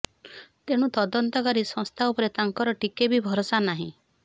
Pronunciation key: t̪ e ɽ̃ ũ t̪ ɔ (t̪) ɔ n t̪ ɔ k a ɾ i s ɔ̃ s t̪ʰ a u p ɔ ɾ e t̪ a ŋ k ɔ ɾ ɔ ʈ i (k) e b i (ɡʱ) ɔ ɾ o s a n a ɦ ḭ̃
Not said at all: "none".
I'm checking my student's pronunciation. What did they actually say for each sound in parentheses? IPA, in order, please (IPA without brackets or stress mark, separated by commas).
d̪, k, bʱ